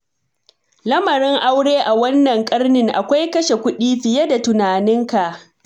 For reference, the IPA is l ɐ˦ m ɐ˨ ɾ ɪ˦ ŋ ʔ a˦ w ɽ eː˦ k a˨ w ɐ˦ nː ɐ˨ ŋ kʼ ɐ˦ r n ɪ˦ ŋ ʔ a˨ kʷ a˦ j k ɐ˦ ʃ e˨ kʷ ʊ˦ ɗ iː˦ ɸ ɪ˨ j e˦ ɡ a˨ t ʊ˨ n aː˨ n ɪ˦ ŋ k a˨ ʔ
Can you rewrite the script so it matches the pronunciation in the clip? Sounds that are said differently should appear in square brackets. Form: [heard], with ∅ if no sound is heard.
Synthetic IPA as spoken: l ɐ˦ m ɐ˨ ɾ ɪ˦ ŋ ʔ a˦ w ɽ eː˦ [ʔ] a˨ w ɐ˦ nː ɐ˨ ŋ kʼ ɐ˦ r n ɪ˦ ŋ ʔ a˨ kʷ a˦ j k ɐ˦ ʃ e˨ kʷ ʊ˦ ɗ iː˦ ɸ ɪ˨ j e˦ [d] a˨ t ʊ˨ n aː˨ n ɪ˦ ŋ k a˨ ʔ